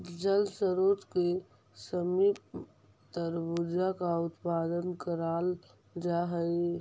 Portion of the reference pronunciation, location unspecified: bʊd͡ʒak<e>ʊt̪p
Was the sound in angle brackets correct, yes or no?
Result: no